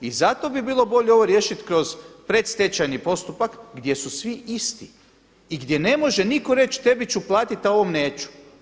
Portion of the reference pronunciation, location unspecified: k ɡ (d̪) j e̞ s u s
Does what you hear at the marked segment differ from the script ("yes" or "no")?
no